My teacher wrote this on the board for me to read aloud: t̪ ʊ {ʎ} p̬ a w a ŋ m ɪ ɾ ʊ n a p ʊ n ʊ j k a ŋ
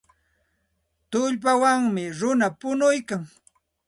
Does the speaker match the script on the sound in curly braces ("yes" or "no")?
yes